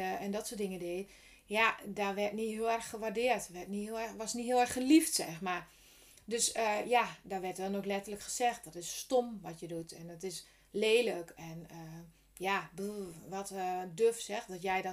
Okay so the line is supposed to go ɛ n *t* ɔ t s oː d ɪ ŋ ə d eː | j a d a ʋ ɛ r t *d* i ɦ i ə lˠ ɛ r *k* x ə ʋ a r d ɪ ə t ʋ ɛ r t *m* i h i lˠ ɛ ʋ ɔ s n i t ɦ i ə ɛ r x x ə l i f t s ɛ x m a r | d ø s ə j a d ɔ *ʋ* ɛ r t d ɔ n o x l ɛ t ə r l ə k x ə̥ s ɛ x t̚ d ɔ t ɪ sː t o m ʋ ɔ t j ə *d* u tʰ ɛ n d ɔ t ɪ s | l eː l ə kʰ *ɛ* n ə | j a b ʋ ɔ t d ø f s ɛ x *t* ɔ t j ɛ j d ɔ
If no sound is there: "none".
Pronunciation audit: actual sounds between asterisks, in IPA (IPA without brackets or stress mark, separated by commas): d, n, x, n, ʋ, d, ɛ, d